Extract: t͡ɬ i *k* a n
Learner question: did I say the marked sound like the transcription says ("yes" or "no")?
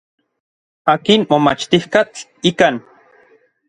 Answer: yes